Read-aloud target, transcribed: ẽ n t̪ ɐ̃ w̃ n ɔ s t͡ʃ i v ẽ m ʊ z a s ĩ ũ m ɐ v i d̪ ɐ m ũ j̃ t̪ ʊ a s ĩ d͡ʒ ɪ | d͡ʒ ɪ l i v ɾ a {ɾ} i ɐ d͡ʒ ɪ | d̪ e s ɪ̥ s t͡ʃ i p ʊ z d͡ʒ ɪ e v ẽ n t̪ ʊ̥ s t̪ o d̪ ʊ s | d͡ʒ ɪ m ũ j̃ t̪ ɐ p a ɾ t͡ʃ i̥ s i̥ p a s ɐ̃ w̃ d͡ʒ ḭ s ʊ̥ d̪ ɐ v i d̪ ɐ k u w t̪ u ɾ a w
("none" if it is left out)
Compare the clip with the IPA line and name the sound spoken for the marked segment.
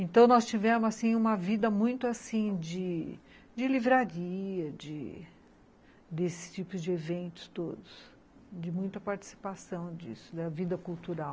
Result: ɾ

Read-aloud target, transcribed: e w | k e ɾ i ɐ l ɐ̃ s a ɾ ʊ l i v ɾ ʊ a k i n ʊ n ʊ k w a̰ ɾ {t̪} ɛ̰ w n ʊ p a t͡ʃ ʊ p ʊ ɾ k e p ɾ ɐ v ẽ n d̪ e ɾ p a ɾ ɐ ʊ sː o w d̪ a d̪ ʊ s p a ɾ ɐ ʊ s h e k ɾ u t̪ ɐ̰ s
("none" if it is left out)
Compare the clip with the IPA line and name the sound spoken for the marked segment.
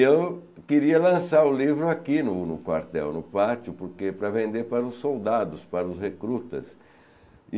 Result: t̪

